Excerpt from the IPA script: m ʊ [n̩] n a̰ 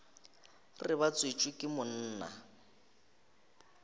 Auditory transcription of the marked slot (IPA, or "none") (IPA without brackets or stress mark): n̩ː